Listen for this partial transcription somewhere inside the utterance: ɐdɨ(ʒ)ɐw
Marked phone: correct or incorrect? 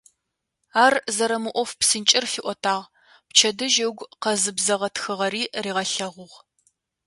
correct